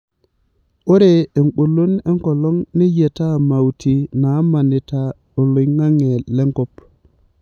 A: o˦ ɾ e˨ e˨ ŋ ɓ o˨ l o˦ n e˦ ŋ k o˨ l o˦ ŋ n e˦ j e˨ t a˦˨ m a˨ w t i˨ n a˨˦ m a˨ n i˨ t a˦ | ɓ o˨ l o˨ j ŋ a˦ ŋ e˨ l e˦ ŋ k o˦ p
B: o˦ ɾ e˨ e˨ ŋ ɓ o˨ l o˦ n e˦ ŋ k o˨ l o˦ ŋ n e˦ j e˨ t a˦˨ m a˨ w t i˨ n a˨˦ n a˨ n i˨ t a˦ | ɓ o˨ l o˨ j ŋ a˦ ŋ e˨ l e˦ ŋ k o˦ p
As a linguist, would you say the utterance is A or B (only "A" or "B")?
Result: A